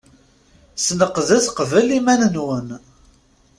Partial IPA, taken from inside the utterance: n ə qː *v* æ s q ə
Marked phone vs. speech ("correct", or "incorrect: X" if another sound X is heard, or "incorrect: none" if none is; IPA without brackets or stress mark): incorrect: ð